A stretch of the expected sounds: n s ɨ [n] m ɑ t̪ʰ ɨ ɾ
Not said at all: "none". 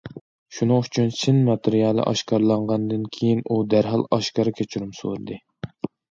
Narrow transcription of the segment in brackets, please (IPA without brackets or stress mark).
n